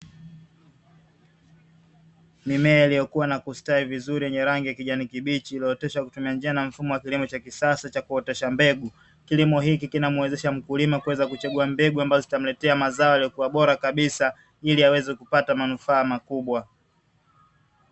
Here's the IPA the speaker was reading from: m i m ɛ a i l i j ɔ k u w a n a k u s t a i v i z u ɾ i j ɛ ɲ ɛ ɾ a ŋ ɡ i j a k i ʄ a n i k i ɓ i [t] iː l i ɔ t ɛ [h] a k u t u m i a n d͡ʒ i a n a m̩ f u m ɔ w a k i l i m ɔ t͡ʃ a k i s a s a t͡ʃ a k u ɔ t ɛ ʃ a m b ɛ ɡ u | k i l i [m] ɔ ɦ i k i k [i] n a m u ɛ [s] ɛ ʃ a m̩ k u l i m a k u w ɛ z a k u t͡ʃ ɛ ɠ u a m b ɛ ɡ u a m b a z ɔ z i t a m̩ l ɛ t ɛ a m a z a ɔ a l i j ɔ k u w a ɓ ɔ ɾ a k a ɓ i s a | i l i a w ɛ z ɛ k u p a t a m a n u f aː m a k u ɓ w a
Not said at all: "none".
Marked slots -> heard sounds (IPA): t͡ʃ, ʃ, m, i, z

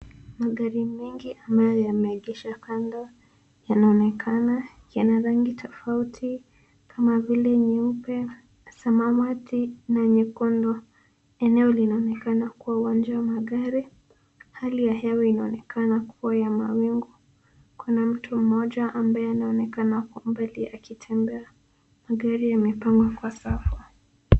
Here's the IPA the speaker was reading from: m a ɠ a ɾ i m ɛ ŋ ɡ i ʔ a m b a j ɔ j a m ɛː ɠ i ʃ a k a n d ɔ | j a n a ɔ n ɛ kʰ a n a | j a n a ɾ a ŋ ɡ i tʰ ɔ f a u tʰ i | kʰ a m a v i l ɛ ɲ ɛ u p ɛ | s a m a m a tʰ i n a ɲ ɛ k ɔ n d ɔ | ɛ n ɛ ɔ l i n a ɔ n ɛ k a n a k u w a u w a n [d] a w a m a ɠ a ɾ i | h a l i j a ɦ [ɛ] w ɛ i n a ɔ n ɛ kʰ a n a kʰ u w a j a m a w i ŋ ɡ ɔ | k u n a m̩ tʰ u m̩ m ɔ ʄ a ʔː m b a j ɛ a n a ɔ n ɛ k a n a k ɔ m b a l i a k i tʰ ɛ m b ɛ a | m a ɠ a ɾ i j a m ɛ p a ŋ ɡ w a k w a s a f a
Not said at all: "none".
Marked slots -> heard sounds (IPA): d͡ʒ, ɛ

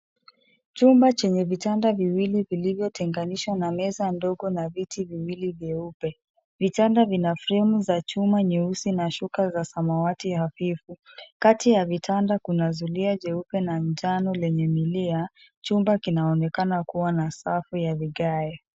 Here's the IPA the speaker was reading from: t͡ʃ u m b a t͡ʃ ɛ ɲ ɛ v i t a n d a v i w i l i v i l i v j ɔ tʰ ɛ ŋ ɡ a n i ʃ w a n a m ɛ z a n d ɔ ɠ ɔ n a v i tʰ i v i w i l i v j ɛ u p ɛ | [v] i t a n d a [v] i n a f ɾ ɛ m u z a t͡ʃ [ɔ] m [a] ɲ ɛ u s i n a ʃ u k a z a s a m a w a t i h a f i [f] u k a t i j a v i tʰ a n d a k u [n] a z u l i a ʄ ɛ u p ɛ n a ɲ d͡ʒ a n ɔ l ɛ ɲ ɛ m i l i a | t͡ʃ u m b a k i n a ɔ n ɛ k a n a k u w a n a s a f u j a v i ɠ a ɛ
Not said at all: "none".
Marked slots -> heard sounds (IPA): v, v, u, a, f, n

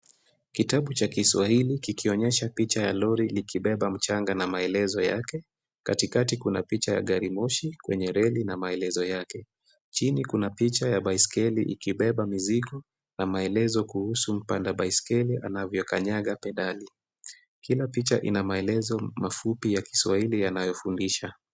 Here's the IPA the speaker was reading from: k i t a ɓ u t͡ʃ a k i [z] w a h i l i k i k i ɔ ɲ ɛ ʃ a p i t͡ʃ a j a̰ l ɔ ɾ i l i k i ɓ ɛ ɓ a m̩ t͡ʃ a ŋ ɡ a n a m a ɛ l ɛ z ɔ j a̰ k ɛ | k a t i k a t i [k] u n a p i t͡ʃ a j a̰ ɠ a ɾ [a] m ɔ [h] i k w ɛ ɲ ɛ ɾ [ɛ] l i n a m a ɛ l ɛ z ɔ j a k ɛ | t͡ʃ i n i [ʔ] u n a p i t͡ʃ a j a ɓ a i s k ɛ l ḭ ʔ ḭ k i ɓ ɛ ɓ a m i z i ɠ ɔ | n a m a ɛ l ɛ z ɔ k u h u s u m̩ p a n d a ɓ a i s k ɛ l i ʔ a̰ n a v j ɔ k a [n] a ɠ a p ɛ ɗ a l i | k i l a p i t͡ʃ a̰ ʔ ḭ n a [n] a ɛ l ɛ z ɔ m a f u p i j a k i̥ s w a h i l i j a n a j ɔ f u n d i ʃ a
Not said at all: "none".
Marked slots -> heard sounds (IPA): s, k, i, ʃ, ɛ, k, ɲ, m

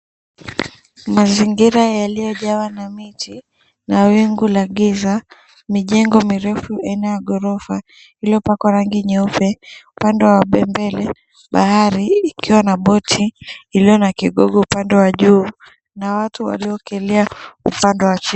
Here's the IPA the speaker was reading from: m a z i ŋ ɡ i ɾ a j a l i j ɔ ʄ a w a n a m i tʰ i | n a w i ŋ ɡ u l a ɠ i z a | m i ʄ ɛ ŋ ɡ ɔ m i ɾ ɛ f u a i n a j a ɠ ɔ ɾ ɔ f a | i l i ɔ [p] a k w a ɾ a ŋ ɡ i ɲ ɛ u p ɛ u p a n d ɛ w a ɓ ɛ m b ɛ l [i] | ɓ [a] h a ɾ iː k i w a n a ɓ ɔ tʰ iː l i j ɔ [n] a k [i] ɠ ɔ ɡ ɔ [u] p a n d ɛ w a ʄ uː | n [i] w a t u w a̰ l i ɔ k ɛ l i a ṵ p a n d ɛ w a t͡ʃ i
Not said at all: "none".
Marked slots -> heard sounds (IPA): p, ɛ, a, n, i, u, a

